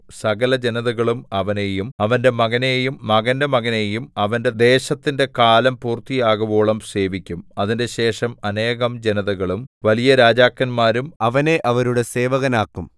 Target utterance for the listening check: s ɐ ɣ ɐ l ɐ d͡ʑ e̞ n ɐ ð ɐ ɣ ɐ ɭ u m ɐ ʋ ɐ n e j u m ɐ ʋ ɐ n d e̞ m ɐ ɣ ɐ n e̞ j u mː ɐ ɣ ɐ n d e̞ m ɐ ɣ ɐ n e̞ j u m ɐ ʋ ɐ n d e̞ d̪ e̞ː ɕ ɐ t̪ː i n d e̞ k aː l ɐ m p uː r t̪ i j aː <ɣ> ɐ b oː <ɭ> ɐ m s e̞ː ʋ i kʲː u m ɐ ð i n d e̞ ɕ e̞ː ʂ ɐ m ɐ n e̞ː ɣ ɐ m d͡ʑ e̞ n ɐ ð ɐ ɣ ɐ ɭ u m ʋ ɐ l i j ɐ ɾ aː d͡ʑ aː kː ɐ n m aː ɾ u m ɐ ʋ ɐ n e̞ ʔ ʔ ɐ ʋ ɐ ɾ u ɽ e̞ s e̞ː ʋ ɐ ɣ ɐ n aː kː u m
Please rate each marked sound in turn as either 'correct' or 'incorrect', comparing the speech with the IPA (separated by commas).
correct, correct